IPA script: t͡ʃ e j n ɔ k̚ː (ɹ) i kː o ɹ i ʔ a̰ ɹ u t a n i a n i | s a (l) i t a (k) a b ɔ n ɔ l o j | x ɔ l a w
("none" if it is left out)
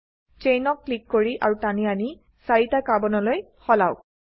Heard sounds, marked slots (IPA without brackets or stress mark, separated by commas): l, ɹ, k